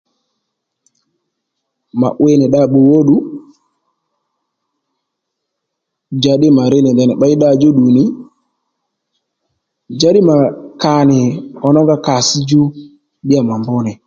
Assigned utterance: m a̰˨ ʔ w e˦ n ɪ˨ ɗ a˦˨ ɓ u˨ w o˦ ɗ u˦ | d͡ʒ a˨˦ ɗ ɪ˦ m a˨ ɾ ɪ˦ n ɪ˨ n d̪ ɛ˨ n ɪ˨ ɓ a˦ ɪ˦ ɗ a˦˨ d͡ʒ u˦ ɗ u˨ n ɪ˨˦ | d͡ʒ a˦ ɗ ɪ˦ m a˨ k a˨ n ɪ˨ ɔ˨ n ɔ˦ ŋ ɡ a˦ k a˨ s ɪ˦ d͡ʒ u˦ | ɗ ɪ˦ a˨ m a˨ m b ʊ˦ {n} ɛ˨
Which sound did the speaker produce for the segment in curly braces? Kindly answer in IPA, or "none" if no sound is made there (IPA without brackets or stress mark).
n